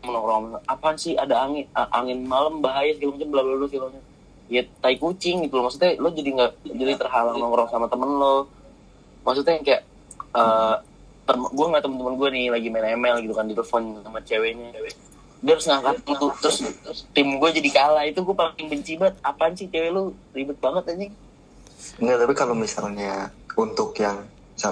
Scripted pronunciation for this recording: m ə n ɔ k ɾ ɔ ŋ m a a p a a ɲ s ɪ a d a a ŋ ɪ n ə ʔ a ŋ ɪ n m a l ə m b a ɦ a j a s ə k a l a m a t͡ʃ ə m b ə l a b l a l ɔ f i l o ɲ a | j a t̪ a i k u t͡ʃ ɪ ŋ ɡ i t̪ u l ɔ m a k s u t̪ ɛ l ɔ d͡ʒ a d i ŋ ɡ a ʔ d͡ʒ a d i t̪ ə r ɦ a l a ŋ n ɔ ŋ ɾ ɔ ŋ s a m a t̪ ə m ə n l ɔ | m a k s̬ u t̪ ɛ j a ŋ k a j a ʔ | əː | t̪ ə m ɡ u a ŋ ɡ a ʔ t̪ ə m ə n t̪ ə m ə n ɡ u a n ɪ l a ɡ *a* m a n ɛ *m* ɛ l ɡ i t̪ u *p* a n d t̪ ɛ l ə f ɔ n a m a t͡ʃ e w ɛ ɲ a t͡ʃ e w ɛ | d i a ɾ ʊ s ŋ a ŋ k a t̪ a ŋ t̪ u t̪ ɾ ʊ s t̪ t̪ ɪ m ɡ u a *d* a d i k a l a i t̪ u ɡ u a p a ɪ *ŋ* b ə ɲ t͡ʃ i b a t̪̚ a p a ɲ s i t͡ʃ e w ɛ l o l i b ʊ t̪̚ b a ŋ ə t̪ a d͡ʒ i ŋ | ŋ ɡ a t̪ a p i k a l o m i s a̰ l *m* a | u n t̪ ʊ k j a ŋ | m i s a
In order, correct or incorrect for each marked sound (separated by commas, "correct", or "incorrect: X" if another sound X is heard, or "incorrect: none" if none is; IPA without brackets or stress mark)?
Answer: incorrect: i, correct, incorrect: k, incorrect: d͡ʒ, correct, incorrect: ɲ